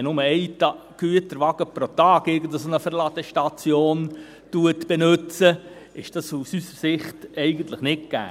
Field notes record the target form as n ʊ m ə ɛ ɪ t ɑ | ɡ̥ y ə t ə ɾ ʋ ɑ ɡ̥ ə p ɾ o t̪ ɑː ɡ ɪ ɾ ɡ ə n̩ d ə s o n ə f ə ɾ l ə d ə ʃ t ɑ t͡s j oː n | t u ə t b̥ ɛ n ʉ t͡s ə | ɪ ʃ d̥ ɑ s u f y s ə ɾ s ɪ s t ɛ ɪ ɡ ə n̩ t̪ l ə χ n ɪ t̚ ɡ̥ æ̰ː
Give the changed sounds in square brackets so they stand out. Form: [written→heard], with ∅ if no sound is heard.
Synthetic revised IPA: n ʊ m ə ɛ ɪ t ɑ | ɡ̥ y ə t ə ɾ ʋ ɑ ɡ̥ ə p ɾ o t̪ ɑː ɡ ɪ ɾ ɡ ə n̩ d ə s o n ə f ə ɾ l [ə→ɑ] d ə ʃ t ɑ t͡s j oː n | t u ə t b̥ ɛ n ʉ t͡s ə | ɪ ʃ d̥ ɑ s u [f→s] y s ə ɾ s ɪ [s→χ] t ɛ ɪ ɡ ə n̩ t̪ l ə χ n ɪ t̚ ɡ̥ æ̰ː

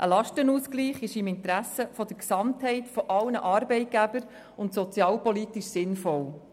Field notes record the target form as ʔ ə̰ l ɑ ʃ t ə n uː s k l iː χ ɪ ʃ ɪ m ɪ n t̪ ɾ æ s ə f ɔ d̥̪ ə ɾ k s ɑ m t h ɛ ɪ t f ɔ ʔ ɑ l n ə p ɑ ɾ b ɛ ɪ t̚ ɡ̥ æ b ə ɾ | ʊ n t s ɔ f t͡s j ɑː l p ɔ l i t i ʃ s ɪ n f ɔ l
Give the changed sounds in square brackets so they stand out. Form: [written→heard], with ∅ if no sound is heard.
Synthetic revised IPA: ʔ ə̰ l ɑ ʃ t ə n uː s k l iː χ ɪ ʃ ɪ m ɪ n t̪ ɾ æ s ə f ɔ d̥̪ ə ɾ k s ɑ m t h ɛ ɪ t f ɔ ʔ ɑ l n ə [p→ʔ] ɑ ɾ b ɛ ɪ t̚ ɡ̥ æ b ə ɾ | ʊ n t s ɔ [f→∅] t͡s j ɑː l p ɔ l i t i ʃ s ɪ n f ɔ l

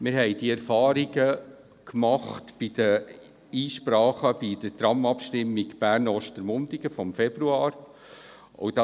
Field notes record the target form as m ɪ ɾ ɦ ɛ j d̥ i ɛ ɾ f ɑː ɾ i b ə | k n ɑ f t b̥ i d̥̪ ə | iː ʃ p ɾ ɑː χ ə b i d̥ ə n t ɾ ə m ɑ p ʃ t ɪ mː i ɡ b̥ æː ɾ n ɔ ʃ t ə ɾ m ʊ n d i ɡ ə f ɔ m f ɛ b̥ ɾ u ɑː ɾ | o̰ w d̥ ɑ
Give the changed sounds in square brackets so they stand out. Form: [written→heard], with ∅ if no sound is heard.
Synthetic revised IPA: m ɪ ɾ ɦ ɛ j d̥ i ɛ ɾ f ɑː ɾ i [b→ɡ] ə | k [n→m] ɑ [f→χ] t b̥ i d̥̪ ə | iː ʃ p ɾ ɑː χ ə b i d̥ ə [n→∅] t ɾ [ə→ɑ] m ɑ p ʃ t ɪ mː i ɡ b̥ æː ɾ n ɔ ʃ t ə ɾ m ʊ n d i ɡ ə f ɔ m f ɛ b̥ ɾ u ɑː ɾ | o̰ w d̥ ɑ

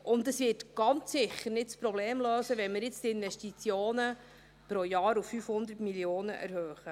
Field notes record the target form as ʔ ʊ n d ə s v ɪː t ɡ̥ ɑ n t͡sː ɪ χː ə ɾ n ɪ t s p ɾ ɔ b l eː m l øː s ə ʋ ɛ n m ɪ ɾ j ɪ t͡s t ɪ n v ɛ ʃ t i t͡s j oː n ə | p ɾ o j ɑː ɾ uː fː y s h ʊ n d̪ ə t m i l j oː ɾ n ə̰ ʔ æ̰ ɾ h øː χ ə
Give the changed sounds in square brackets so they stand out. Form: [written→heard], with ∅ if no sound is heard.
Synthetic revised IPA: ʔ ʊ n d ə s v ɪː t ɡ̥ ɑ n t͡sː ɪ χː ə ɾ n ɪ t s p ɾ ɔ b l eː m l øː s ə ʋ ɛ n m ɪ ɾ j ɪ t͡s t ɪ n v ɛ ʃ t i t͡s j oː n ə | p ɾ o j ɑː ɾ [uː→u] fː y [s→f] h ʊ n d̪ ə t m i l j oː [ɾ→∅] n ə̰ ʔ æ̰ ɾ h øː χ ə

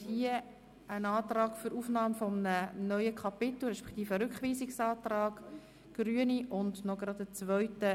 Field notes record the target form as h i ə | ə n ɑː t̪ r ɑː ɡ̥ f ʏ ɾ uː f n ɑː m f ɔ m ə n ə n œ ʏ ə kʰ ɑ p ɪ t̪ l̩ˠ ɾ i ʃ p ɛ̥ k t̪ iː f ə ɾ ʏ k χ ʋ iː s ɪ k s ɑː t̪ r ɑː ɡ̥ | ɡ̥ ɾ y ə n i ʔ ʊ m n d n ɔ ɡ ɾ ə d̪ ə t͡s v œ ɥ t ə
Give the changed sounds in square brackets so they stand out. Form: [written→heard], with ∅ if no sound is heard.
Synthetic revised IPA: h i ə | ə n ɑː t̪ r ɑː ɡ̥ f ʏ ɾ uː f n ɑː m f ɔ m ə n ə n œ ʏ ə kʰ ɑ p ɪ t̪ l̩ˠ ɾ [i→ɛ] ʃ p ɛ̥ k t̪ iː f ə ɾ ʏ k χ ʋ iː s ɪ k s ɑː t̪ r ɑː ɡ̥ | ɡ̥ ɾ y ə n i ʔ ʊ [m→∅] n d n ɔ ɡ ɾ [ə→ɑ] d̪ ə t͡s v œ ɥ t ə

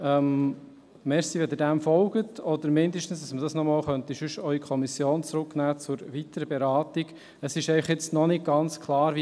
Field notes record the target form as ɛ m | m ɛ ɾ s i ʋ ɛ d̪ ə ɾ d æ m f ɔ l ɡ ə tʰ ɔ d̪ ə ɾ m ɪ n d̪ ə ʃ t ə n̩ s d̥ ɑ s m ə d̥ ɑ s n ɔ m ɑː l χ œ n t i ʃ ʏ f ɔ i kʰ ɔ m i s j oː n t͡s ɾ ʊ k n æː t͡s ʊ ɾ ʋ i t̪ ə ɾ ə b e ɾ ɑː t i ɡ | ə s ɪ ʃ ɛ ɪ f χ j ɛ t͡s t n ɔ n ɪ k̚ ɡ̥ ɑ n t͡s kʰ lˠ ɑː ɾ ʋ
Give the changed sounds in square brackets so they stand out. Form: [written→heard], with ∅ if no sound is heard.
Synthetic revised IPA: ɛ m | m ɛ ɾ s i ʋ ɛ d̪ ə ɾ d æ m f ɔ l ɡ ə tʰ ɔ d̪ ə ɾ m ɪ n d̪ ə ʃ t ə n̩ s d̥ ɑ s m ə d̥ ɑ s n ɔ m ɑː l χ œ n t i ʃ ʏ [f→ʃ] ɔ i kʰ ɔ m i s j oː n t͡s ɾ ʊ k n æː t͡s ʊ ɾ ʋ i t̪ ə ɾ ə b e ɾ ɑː t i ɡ | ə s ɪ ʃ ɛ ɪ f χ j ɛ t͡s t n ɔ n ɪ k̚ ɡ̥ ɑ n t͡s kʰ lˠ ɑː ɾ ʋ

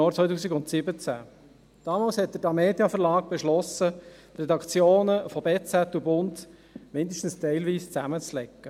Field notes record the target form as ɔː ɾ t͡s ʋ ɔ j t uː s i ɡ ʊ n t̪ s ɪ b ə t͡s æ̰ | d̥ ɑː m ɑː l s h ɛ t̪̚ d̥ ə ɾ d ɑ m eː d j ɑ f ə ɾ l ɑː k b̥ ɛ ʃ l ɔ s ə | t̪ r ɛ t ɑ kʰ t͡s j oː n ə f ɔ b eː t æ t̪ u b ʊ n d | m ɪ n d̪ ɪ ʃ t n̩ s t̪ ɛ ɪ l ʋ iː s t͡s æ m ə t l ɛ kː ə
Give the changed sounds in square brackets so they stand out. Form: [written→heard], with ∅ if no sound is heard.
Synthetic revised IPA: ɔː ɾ t͡s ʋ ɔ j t uː s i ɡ ʊ n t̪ s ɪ b ə t͡s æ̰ | d̥ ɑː m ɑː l s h ɛ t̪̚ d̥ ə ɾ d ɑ m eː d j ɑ f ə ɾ l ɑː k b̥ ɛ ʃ l ɔ s ə | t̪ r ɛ [t→d] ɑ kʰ t͡s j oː n ə f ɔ b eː [t→t͡s] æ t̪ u b ʊ n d | m ɪ n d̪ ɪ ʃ t n̩ s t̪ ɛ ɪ l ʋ iː s t͡s æ m ə [t→t͡s] l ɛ kː ə

